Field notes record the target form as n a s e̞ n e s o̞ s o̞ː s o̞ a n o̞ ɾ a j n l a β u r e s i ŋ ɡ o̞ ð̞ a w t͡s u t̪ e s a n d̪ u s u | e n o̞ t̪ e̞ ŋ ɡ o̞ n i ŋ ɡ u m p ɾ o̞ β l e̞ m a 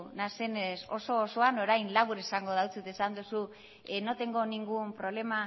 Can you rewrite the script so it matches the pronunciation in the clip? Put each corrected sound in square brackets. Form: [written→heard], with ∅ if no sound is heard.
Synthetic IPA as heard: n a s e̞ n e s o̞ s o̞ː s o̞ a n o̞ ɾ a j n l a β u [r→ɾ] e s [i→a] ŋ ɡ o̞ ð̞ a w t͡s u t̪ e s a n d̪ u s u | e n o̞ t̪ e̞ ŋ ɡ o̞ n i ŋ ɡ u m p ɾ o̞ β l e̞ m a